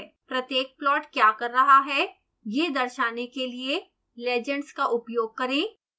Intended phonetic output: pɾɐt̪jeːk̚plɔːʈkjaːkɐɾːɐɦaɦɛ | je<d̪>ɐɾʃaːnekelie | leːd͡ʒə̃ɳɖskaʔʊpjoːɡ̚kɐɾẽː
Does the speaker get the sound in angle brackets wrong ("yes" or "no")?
no